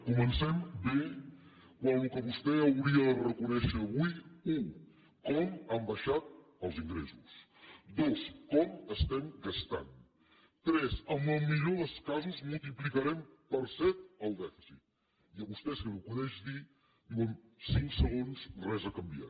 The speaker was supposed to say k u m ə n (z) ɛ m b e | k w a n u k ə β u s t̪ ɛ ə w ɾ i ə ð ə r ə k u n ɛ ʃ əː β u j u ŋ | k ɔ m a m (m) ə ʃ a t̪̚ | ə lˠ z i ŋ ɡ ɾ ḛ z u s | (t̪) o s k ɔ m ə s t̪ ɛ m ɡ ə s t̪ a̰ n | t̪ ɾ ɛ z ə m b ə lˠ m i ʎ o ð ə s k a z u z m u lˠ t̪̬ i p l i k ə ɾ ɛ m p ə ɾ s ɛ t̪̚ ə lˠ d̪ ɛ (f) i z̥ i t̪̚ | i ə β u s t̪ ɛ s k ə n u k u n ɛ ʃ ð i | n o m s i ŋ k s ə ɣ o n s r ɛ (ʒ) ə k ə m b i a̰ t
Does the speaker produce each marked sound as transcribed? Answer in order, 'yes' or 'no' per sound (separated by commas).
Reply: no, no, no, yes, no